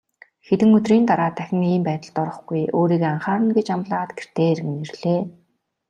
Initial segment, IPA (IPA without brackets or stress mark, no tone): x